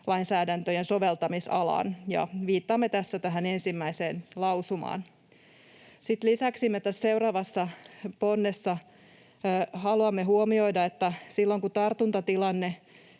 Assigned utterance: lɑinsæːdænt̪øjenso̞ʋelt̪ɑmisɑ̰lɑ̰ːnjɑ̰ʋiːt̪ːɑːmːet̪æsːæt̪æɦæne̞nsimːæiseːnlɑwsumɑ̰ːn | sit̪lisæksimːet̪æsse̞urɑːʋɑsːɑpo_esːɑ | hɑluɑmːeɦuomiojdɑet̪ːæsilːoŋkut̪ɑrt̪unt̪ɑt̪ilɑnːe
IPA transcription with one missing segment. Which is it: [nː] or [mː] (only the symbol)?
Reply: nː